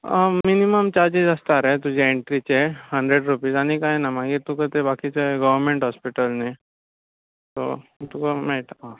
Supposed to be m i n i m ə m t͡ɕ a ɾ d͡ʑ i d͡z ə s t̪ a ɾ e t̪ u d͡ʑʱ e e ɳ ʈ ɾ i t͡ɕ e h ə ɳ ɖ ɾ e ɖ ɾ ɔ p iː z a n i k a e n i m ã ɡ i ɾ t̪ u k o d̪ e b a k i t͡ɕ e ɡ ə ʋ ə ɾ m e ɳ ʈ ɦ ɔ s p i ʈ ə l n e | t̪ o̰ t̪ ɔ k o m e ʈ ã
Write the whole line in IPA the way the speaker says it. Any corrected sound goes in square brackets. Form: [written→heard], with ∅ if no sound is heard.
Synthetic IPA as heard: m i n i m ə m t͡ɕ a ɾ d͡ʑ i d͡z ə s t̪ a ɾ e t̪ u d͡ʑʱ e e ɳ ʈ ɾ i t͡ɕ e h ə ɳ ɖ ɾ e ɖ ɾ [ɔ→u] p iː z a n i k a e n [i→a] m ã ɡ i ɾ t̪ u k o [d̪→t̪] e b a k i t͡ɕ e ɡ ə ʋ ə ɾ m e ɳ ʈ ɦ ɔ s p i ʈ ə l n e | t̪ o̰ t̪ [ɔ→u] k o m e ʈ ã